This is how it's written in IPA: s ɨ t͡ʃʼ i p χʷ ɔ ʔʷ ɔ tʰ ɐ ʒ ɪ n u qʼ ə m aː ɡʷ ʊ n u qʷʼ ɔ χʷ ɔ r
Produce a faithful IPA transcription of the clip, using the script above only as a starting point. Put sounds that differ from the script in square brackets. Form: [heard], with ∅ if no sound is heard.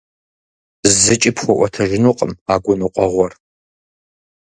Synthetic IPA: [z] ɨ t͡ʃʼ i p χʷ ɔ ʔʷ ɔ tʰ ɐ ʒ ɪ n u qʼ ə m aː ɡʷ ʊ n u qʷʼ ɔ [ʁʷ] ɔ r

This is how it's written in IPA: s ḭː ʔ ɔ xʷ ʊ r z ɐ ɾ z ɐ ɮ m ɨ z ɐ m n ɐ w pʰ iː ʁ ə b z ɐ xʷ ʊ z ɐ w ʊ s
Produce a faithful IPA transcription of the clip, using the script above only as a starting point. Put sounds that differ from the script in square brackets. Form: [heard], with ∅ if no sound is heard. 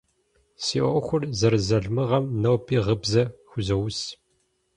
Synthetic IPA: s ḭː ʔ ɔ xʷ ʊ r z ɐ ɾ z ɐ ɮ m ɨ [ʁ] ɐ m n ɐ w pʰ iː ʁ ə b z ɐ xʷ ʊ z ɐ w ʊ s

